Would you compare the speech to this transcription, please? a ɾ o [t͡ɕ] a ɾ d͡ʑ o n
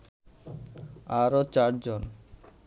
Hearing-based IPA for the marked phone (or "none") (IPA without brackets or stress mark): t͡ɕ